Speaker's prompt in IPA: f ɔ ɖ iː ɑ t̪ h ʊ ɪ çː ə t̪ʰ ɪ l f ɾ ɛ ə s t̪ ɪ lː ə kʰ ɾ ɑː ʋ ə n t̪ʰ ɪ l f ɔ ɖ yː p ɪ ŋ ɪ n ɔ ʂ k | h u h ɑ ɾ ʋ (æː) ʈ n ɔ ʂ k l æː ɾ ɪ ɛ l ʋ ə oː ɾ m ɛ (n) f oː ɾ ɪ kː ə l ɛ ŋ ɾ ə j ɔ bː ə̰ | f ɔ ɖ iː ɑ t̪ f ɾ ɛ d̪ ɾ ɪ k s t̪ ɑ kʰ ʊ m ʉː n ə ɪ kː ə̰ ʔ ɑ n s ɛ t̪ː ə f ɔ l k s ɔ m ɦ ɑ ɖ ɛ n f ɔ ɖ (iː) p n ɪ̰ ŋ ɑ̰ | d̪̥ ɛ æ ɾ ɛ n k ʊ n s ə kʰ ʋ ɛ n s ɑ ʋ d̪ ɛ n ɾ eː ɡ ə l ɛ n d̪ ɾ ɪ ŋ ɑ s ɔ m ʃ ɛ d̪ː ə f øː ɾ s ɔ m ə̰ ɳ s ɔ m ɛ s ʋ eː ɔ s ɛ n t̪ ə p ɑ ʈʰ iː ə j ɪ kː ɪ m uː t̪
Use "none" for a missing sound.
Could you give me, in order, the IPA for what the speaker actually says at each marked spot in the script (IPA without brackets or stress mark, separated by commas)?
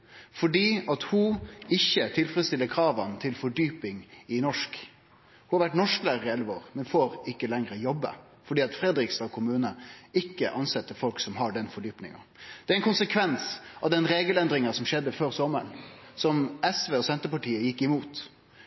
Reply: æ, n, yː